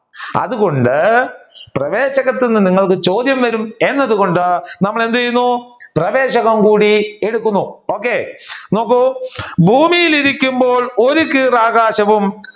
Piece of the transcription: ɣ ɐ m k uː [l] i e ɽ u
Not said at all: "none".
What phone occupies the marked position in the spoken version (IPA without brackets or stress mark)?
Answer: ɽ